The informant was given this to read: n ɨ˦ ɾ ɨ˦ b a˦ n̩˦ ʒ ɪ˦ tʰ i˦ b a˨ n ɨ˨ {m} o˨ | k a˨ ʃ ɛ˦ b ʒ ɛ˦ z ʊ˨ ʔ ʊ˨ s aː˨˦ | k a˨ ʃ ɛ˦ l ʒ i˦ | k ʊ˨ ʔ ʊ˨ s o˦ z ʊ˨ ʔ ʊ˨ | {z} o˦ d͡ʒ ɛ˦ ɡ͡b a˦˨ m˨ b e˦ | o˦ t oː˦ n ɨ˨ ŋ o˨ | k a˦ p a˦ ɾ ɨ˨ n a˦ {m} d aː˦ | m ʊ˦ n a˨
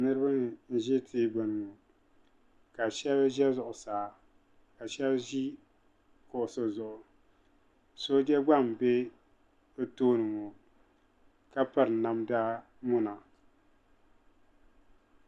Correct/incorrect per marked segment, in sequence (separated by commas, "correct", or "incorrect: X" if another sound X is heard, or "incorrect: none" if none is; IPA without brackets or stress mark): incorrect: ŋ, incorrect: s, correct